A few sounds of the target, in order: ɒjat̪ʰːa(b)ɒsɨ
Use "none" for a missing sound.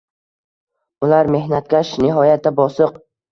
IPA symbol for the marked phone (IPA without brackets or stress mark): b